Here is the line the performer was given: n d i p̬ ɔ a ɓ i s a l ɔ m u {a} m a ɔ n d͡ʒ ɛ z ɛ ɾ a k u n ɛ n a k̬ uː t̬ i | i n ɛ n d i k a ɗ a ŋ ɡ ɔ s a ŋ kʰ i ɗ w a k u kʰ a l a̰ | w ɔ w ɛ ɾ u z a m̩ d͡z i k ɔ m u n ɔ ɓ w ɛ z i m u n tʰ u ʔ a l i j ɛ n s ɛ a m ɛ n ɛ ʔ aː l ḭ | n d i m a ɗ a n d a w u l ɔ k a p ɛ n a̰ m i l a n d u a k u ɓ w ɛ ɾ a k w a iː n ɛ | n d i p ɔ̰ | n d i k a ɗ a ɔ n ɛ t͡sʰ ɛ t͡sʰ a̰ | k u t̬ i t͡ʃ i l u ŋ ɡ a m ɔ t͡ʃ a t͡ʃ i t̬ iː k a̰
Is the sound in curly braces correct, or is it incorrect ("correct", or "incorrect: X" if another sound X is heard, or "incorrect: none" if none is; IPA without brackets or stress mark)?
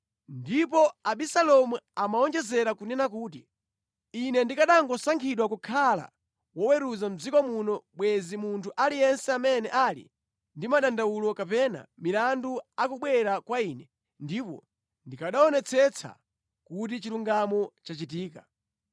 correct